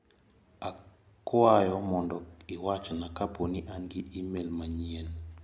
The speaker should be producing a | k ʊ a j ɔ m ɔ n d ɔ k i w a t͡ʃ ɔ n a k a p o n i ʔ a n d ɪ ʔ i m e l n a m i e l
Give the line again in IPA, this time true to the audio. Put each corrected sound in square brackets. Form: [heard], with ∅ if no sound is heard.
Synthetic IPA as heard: a | k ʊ a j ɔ m ɔ n d ɔ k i w a t͡ʃ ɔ n a k a p o n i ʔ a n [ɡ] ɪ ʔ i m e l [m] a [ɲ] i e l